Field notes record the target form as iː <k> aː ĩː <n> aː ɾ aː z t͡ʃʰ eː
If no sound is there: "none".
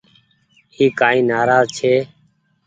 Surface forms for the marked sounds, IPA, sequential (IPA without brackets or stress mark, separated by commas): k, n